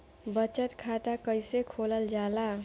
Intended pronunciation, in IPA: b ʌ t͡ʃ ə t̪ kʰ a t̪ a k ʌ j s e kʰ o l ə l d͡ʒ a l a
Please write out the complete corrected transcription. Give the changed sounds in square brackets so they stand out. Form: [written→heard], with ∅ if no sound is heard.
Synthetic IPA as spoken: b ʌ t͡ʃ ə t̪ kʰ a t̪ a k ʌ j s e kʰ o l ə l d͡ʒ a l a